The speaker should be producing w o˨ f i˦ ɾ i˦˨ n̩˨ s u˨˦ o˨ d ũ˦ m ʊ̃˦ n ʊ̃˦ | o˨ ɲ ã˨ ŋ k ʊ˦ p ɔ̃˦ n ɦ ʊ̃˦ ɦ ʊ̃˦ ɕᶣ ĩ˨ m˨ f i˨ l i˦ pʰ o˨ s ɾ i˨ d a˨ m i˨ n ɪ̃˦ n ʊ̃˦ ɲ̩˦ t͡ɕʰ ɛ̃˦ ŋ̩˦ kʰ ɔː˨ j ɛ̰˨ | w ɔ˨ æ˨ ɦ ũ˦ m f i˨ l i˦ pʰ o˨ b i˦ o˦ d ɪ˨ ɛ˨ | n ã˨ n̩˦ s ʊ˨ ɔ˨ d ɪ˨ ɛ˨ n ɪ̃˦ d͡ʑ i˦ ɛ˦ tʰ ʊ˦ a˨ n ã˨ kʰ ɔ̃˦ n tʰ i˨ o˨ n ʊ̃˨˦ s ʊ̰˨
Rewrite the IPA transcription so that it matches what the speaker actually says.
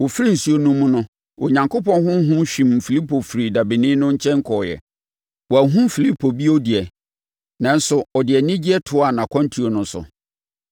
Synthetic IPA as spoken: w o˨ f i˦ ɾ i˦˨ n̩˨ s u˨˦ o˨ n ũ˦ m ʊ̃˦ n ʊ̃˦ | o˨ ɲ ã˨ ŋ k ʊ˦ p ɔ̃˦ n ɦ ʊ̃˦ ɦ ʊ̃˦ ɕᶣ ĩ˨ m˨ f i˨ l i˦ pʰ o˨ f ɾ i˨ d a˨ b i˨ n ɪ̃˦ n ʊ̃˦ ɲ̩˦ t͡ɕʰ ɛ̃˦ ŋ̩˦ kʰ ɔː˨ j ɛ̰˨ | w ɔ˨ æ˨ ɦ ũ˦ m f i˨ l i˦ pʰ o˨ b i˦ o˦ d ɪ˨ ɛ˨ | n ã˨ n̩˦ s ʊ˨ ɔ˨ d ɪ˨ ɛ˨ n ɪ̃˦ d͡ʑ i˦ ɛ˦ tʰ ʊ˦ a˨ n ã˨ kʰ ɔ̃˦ n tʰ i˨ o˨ n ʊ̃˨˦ s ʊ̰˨